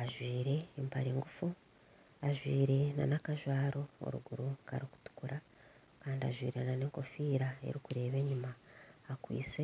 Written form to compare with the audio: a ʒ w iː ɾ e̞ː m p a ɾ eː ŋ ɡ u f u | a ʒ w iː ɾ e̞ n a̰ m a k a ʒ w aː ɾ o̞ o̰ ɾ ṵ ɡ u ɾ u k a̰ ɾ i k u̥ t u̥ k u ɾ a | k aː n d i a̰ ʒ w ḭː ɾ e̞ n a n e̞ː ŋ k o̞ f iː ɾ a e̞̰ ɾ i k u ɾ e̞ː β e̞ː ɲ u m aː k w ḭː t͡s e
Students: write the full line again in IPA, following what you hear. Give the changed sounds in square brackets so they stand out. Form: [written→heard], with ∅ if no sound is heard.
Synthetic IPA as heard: a ʒ w iː ɾ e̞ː m p a ɾ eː ŋ ɡ u f u | a ʒ w iː ɾ e̞ n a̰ [m→n] a k a ʒ w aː ɾ o̞ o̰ ɾ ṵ ɡ u ɾ u k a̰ ɾ i k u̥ t u̥ k u ɾ a | k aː n d i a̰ ʒ w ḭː ɾ e̞ n a n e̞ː ŋ k o̞ f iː ɾ a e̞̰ ɾ i k u ɾ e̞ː β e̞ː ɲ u m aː k w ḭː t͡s e